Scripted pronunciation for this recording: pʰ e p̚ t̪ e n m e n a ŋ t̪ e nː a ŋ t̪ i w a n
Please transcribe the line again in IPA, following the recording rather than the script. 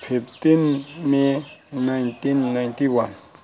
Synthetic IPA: pʰ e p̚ t̪ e n m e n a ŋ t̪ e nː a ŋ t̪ i w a n